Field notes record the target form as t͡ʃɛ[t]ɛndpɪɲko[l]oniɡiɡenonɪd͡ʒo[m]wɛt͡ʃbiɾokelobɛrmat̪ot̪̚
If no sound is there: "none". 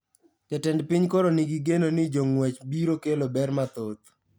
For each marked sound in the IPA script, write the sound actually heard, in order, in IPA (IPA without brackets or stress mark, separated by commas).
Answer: t, ɾ, ŋ